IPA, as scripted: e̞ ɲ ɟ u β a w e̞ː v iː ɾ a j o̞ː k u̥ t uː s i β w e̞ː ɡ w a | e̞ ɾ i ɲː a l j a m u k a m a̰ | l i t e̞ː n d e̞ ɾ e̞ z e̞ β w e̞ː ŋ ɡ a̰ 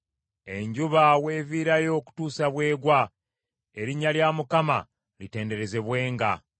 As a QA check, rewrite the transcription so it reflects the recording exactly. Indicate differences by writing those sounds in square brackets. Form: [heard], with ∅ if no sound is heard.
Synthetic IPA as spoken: e̞ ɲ ɟ u β a w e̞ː v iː ɾ a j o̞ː k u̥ t uː s [a] β w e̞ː ɡ w a | e̞ ɾ i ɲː a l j a m u k a m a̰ | l i t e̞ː n d e̞ ɾ e̞ z e̞ β w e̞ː ŋ ɡ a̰